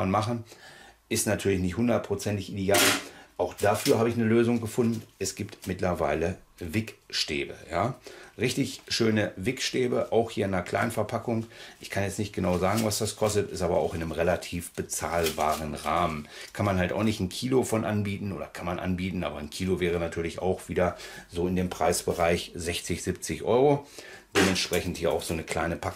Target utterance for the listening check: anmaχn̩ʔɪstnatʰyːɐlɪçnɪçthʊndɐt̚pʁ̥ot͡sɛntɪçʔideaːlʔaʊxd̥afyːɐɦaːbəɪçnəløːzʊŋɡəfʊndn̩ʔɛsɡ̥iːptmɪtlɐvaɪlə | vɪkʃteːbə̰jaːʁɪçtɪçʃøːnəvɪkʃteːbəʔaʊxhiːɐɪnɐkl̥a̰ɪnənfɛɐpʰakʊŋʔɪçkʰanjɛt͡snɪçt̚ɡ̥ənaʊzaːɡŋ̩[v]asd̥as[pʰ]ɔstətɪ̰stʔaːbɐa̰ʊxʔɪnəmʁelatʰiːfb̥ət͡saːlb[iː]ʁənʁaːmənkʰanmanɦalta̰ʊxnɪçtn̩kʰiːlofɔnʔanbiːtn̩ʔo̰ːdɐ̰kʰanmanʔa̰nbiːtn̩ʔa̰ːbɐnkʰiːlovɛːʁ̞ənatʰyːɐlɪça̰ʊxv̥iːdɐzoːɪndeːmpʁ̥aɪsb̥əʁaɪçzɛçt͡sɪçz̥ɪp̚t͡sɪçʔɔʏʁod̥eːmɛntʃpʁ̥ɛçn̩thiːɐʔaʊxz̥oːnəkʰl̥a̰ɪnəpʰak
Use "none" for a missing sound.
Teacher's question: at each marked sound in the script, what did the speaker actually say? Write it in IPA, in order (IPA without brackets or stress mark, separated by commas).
v, kʰ, aː